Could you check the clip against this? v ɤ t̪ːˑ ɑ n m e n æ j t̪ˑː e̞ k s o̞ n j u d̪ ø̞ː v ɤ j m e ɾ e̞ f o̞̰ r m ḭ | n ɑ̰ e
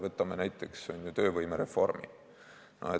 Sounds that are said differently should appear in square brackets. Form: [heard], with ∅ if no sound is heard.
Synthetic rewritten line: v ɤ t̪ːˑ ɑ [∅] m e n æ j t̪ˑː e̞ k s o̞ n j u [t̪] ø̞ː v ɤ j m e ɾ e̞ f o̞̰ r m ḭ | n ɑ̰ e